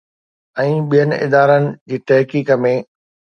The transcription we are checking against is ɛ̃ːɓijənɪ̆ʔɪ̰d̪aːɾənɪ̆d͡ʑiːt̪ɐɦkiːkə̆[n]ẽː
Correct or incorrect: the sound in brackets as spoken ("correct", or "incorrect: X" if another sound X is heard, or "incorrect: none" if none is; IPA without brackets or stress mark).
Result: incorrect: m